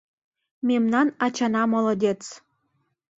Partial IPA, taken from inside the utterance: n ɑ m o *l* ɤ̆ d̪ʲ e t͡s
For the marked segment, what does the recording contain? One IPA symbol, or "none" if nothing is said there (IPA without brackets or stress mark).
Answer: l